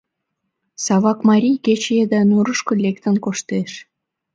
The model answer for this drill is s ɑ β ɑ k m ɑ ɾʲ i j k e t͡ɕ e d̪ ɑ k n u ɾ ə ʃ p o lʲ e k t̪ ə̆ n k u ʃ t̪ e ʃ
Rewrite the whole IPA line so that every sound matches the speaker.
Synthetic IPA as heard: s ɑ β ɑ k m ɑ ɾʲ i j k e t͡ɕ e d̪ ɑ n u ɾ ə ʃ k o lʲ e k t̪ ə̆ n k o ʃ t̪ e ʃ